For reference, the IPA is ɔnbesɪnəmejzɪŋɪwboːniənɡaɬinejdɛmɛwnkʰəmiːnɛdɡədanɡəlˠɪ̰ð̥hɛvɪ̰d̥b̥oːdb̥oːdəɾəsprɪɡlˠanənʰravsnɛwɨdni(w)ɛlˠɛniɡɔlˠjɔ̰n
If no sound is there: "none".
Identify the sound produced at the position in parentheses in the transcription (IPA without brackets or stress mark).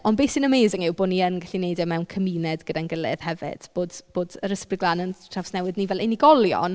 v